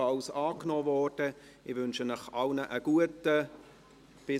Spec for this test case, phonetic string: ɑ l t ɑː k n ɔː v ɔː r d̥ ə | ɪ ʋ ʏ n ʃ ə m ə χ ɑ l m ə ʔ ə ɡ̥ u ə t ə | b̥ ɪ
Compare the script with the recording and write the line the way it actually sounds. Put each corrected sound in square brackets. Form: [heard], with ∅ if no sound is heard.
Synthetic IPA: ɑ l [s] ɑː k n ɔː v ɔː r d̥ ə | ɪ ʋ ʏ n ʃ ə [n] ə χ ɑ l [n] ə ʔ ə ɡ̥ u ə t ə | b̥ ɪ